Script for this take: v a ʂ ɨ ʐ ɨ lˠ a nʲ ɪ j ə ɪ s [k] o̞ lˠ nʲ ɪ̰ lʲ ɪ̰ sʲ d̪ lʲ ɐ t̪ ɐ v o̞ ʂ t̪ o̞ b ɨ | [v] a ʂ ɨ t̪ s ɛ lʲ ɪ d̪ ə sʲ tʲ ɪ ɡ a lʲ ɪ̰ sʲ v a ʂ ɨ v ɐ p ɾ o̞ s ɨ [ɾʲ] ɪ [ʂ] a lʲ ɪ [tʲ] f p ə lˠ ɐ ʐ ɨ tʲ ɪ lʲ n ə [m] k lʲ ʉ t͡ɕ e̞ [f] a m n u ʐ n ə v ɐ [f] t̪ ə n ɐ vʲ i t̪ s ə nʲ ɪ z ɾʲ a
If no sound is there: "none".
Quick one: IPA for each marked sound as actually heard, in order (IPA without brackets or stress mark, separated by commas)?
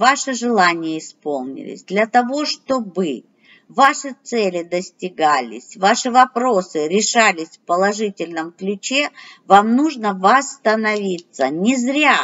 p, v, ɾʲ, ʂ, sʲ, m, v, s